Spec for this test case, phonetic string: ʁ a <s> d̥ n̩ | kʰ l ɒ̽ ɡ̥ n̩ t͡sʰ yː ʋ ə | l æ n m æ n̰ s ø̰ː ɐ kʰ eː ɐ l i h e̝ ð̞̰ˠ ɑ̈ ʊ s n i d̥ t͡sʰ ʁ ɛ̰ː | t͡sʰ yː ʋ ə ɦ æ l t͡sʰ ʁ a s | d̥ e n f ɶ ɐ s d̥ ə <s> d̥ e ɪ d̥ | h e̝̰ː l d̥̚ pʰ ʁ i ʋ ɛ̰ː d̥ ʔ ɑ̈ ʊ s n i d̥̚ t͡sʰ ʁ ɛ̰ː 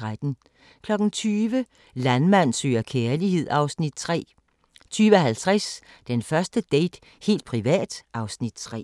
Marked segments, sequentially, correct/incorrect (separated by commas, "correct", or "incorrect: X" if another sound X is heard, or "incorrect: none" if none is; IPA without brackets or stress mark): incorrect: none, incorrect: none